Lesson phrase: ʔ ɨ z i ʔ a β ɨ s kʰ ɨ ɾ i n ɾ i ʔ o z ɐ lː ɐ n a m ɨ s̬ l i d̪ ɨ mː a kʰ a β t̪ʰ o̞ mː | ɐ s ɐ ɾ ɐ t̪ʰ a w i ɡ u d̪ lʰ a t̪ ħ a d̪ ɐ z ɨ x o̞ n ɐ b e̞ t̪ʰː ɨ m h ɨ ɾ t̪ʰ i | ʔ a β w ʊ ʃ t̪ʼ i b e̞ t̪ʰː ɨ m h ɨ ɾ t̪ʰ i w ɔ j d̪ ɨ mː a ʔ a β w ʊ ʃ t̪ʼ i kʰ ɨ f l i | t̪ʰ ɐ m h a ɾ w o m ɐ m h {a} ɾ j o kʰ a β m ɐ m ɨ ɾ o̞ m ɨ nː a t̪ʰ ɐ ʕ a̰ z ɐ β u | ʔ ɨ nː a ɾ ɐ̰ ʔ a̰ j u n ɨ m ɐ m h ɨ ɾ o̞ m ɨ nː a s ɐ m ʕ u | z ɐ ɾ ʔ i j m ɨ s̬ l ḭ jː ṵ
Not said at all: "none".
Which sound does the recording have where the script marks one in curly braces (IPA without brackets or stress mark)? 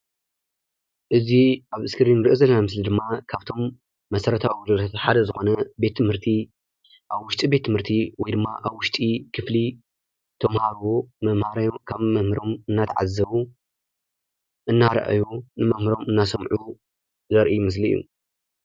a